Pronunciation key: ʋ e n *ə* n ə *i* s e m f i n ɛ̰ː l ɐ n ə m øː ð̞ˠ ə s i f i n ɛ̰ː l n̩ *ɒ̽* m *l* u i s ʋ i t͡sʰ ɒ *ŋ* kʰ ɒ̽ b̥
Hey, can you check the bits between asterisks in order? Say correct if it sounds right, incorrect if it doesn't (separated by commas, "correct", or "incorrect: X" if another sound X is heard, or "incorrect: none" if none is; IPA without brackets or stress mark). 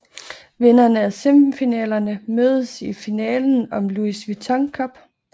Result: incorrect: ɐ, incorrect: æ, correct, correct, correct